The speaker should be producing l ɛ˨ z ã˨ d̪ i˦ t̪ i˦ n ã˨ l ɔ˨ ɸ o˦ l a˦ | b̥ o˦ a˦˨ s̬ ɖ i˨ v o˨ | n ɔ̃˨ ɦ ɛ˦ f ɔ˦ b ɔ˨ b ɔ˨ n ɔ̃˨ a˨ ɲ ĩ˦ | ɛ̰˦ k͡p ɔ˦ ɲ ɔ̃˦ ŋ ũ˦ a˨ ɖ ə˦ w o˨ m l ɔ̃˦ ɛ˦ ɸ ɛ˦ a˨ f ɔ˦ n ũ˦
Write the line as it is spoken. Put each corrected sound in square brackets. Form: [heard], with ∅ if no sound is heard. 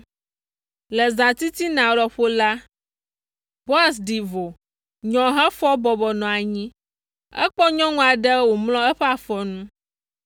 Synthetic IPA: l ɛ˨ z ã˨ [t̪] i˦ t̪ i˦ n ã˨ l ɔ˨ ɸ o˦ l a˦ | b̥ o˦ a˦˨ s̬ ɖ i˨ v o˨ | [ɲ] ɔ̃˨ ɦ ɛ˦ f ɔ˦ b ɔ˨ b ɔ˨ n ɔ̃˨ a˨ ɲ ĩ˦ | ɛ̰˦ k͡p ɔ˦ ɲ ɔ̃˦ ŋ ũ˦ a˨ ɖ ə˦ w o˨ m l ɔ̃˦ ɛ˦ ɸ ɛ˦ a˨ f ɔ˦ n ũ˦